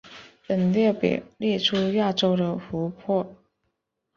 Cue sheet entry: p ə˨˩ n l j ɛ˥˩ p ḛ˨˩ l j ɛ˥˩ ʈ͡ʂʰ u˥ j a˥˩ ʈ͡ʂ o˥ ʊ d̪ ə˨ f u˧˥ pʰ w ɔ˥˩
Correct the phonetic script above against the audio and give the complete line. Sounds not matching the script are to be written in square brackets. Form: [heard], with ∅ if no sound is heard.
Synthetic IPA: p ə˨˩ n l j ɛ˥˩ p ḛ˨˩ l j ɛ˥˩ ʈ͡ʂʰ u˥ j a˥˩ ʈ͡ʂ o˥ ʊ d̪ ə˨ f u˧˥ pʰ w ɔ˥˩